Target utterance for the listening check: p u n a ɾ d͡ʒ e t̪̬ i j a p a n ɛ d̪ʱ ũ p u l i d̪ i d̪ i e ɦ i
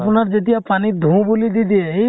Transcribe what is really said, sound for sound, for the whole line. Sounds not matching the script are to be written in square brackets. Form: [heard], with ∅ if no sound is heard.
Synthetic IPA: p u n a ɾ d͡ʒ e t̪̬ i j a p a n [i] d̪ʱ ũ [b] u l i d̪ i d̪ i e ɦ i